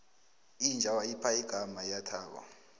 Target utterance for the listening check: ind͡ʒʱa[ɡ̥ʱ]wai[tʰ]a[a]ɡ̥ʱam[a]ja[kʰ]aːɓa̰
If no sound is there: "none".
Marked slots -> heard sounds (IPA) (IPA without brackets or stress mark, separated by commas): none, pʰ, i, a, tʰ